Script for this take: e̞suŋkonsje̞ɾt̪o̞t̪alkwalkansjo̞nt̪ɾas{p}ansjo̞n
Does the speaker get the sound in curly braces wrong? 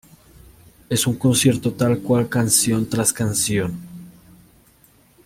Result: yes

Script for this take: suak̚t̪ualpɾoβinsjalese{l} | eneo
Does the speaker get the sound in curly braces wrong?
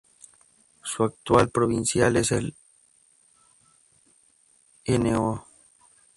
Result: no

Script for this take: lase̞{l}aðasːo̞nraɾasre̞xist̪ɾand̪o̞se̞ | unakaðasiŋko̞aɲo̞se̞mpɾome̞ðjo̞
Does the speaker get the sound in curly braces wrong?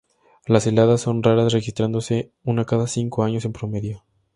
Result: no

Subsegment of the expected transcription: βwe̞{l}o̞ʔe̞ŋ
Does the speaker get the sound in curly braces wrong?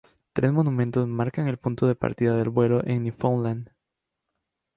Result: no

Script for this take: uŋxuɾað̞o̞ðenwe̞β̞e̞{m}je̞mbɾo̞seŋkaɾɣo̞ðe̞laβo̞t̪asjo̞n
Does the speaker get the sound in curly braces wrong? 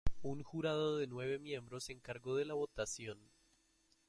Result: no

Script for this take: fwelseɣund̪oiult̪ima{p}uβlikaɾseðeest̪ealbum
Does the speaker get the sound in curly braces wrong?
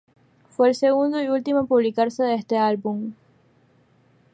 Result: no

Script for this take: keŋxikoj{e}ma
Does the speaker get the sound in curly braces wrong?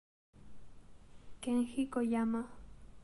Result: yes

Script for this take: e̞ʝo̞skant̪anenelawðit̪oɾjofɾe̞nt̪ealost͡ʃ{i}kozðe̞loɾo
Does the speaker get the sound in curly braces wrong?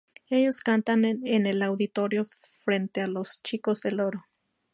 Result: no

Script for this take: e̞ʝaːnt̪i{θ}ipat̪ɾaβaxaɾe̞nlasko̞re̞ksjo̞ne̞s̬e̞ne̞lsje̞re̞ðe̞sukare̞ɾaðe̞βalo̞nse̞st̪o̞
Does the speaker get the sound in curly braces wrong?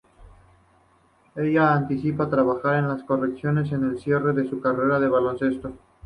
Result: yes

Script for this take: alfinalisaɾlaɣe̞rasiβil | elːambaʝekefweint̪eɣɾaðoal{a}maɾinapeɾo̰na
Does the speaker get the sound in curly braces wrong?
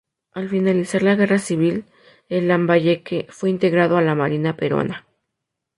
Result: no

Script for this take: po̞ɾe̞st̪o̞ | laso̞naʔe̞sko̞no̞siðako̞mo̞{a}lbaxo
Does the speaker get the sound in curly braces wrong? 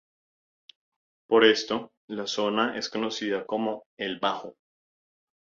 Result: yes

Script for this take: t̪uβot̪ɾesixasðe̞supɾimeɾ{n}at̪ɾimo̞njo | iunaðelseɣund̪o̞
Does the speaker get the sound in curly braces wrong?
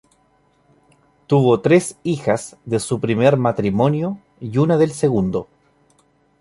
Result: yes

